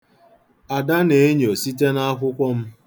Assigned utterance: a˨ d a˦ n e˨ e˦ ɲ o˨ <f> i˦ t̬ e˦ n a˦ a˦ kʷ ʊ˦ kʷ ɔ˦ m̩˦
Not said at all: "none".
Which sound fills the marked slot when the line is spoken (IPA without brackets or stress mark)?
s